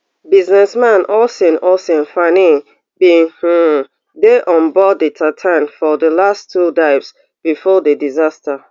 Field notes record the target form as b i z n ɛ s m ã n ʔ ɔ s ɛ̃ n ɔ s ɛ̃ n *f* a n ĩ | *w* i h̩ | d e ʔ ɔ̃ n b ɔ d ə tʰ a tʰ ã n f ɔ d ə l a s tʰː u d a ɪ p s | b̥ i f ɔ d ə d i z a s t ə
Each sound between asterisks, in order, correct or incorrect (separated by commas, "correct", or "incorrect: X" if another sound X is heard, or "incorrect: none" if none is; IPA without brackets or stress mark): correct, incorrect: b